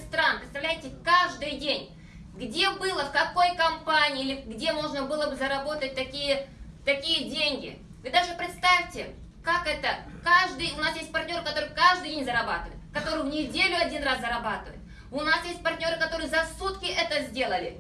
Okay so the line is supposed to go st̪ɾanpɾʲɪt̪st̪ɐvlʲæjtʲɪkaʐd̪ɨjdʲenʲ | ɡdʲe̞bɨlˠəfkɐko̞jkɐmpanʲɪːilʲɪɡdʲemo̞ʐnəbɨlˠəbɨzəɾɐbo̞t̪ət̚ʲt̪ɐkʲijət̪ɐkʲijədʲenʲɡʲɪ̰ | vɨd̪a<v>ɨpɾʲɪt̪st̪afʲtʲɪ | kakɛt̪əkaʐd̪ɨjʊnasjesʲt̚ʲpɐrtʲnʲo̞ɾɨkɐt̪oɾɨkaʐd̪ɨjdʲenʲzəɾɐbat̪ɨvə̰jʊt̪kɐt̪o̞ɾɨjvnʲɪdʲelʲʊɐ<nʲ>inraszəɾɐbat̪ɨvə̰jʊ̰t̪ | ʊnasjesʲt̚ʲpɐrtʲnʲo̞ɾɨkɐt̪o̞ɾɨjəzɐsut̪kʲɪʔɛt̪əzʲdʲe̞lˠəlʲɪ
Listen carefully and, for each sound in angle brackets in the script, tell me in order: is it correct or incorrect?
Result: incorrect, incorrect

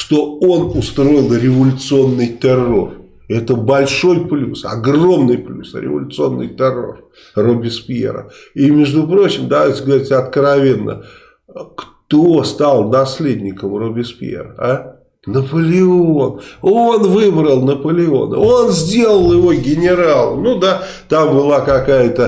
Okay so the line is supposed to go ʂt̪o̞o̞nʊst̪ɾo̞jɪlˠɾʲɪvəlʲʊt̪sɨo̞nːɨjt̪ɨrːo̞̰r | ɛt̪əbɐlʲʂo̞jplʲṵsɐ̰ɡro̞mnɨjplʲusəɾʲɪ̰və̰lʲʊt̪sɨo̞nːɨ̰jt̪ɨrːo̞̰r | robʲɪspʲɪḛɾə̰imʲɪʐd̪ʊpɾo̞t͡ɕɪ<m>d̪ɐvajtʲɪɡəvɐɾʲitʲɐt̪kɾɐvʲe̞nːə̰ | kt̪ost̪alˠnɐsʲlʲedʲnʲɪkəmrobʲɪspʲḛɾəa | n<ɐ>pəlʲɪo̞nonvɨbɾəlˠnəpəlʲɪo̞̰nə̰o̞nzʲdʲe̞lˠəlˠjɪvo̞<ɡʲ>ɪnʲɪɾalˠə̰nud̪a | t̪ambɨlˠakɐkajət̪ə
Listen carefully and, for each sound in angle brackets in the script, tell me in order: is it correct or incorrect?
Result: correct, incorrect, correct

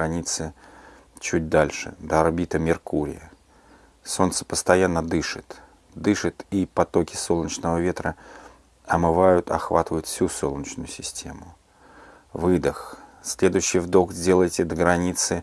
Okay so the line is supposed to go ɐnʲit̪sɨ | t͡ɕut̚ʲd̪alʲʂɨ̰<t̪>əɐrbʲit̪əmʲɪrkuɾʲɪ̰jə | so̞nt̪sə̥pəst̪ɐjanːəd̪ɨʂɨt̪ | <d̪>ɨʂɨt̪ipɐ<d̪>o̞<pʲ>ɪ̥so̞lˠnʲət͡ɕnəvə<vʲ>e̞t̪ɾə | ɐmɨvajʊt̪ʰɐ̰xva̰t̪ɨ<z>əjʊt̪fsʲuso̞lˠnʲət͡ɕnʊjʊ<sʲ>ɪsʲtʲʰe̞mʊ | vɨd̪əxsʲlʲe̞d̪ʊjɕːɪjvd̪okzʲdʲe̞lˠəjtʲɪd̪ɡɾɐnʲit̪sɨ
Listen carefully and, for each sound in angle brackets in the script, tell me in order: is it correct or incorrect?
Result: incorrect, correct, incorrect, incorrect, correct, incorrect, correct

